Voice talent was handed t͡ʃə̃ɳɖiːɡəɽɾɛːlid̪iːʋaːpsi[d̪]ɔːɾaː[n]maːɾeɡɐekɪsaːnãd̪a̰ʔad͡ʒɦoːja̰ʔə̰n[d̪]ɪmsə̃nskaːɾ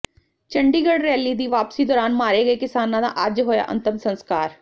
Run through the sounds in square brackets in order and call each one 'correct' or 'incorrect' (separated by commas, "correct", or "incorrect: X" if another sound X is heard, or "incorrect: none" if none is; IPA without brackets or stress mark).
correct, correct, incorrect: t̪